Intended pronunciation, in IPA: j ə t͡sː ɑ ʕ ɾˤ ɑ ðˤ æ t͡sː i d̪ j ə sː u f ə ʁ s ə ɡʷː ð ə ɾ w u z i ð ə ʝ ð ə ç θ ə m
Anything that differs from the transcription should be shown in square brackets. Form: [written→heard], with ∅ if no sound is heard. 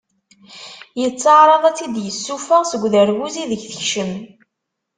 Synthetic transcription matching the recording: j ə t͡sː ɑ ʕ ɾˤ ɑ ðˤ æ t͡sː i d̪ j ə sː u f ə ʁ s ə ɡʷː ð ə ɾ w u z i ð ə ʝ [ð→θ] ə ç [θ→ʃ] ə m